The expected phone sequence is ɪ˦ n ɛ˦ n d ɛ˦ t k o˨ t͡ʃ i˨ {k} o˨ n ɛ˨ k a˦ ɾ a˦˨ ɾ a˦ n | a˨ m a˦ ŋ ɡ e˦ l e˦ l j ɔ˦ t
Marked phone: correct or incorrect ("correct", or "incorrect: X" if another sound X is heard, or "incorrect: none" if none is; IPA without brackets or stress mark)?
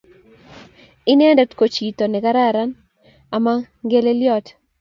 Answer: incorrect: t